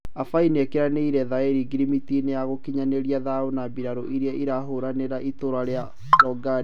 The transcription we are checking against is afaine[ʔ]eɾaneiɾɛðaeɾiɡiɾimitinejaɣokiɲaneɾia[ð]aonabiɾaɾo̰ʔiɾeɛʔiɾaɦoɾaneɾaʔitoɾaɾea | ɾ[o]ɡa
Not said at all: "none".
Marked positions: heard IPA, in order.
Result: k, ð, ɔ

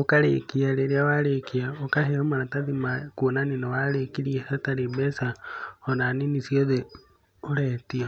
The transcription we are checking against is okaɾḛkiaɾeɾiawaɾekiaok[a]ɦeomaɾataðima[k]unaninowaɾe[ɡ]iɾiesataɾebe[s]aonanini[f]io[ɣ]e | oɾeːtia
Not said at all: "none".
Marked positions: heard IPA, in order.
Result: a, k, k, s, s, ð

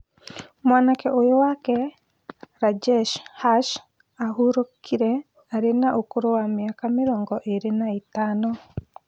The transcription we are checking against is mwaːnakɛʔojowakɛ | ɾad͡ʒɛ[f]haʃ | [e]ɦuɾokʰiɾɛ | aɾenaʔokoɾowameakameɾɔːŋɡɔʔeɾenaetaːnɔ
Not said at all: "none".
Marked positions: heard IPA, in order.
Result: ʃ, a

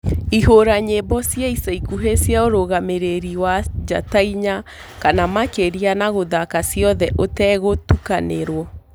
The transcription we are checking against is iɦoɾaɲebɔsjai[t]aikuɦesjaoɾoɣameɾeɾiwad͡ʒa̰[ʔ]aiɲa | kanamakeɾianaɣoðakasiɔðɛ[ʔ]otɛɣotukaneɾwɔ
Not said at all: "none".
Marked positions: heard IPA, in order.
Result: s, t, ʔ

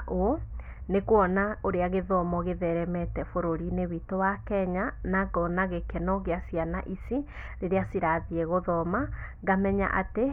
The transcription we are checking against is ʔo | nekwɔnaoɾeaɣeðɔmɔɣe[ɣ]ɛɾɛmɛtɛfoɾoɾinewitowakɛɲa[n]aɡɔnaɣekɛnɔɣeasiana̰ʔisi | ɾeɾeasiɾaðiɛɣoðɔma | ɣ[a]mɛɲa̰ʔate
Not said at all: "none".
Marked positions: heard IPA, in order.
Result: ð, n, a

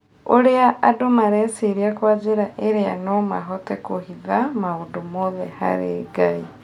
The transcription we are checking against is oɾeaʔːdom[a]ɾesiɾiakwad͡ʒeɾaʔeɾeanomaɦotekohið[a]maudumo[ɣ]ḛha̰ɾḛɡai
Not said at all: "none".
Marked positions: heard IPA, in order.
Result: a, a, ð

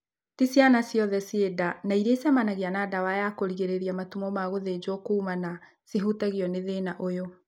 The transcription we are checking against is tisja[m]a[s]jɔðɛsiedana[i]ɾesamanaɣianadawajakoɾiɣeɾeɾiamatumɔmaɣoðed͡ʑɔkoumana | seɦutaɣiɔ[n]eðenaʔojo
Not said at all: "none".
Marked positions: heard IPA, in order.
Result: n, s, i, n

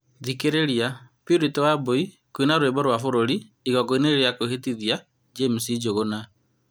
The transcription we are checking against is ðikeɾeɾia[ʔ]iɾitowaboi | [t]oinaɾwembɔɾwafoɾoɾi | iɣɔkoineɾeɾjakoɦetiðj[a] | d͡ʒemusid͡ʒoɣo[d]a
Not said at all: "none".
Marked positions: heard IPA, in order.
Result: p, k, a, n

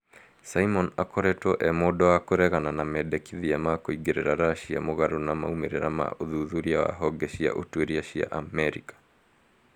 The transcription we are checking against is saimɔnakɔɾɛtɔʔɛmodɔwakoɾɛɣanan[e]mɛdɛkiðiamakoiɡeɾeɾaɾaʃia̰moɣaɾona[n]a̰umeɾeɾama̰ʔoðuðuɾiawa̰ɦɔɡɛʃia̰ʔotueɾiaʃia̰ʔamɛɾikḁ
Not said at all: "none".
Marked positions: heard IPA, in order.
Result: a, m

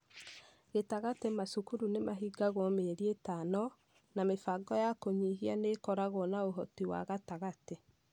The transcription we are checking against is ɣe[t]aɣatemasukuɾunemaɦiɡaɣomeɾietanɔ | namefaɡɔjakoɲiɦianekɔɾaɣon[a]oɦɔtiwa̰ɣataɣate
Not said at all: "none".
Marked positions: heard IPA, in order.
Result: t, a

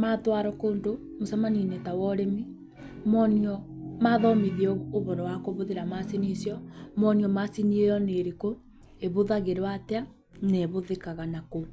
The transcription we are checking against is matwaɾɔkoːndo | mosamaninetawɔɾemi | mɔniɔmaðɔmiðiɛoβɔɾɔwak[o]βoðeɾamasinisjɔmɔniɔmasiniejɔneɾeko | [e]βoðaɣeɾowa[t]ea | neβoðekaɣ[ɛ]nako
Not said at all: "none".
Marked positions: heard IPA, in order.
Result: o, e, t, a

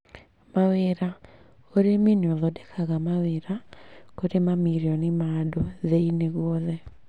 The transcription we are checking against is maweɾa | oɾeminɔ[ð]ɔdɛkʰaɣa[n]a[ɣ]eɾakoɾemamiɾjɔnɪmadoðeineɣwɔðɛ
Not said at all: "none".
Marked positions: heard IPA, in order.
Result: ð, m, w

